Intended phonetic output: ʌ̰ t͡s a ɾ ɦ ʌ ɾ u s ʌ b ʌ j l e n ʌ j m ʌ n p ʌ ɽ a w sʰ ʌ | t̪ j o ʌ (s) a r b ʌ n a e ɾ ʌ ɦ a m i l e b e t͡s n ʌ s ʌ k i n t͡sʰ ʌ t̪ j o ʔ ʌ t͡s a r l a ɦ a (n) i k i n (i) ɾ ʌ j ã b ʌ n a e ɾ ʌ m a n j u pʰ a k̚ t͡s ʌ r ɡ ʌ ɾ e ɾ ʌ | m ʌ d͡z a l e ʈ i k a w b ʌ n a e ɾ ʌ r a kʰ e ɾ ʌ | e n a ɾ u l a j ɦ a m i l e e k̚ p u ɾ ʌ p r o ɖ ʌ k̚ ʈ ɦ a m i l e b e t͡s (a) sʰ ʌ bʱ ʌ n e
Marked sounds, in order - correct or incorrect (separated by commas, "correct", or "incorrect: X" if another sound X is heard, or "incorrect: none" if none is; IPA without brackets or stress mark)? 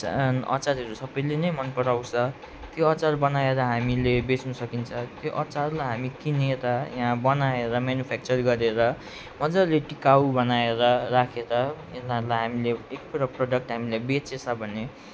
incorrect: t͡s, incorrect: m, incorrect: e, incorrect: e